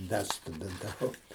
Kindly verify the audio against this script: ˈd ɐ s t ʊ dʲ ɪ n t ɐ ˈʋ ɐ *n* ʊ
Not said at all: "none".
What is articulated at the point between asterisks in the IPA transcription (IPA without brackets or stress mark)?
none